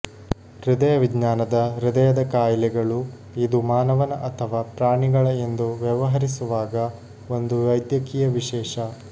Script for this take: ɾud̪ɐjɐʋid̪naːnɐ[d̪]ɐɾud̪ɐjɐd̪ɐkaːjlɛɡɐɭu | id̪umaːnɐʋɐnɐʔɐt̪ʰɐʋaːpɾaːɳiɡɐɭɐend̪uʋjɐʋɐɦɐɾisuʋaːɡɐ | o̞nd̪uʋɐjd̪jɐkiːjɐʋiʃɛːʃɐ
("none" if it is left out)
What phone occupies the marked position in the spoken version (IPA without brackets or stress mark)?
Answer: d̪